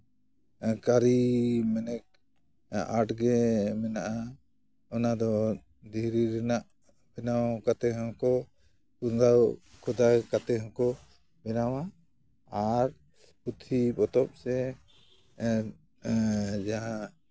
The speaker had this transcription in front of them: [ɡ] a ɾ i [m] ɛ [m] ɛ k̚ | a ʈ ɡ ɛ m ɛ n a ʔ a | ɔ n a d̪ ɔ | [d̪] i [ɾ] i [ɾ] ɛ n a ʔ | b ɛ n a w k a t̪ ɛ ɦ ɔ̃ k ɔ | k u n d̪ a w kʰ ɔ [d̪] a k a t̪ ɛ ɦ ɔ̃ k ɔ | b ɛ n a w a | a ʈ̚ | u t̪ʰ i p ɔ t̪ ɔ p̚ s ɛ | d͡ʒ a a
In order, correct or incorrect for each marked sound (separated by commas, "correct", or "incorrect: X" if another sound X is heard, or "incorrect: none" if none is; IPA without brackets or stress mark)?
incorrect: k, correct, incorrect: n, correct, correct, correct, correct